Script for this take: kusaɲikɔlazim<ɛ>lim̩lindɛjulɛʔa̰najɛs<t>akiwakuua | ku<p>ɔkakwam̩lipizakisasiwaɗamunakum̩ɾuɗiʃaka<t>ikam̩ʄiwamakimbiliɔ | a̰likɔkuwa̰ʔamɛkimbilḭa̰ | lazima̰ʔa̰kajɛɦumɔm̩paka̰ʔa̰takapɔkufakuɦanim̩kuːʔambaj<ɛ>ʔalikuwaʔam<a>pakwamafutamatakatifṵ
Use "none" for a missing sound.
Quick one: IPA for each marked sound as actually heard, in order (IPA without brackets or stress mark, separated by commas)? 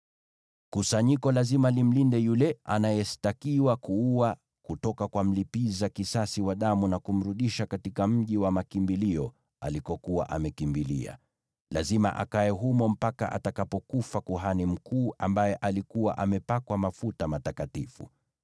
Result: a, t, t, t, ɛ, ɛ